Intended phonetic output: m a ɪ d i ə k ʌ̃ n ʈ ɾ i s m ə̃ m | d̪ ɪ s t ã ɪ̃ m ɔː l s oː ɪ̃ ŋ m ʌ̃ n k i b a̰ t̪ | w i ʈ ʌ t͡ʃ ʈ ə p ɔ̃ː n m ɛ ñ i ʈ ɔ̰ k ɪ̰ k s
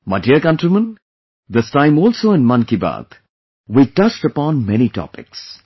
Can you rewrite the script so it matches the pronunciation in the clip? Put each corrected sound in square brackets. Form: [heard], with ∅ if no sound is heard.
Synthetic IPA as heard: m a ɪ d i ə k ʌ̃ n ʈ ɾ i [∅] m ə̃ [n] | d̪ ɪ s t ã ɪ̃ m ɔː l s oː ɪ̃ [n] m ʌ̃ n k i b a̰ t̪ | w i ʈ ʌ t͡ʃ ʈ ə p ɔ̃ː n m ɛ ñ i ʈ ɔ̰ [p] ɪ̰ k s